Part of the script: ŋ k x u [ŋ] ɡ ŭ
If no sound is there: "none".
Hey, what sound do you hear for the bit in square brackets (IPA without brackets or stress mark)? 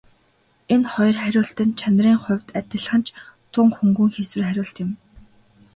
ŋ